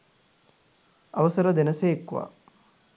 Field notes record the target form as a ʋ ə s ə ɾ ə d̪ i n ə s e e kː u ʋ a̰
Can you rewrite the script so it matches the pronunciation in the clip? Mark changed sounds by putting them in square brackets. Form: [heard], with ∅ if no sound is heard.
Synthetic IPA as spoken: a ʋ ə s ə ɾ ə d̪ [e] n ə s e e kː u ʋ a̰